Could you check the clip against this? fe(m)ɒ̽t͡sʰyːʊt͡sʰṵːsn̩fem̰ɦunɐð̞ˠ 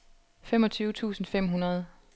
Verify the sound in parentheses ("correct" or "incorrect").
correct